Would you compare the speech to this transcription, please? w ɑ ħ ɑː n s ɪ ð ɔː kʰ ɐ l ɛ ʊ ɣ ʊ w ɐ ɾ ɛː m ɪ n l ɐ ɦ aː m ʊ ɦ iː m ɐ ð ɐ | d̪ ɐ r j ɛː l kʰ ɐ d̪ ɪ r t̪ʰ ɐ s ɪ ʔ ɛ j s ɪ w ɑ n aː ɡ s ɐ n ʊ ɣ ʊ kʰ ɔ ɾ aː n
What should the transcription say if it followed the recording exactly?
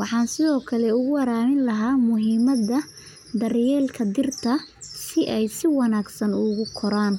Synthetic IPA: w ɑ ħ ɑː n s ɪ ð ɔː kʰ ɐ l ɛ ʊ ɣ ʊ w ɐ ɾ aː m ɪ n l ɐ ɦ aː m ʊ ɦ iː m ɐ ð ɐ | d̪ ɐ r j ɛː l kʰ ɐ d̪ ɪ r t̪ʰ ɐ s ɪ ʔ ɛ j s ɪ w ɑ n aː ɡ s ɐ n ʊ ɣ ʊ kʰ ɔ ɾ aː n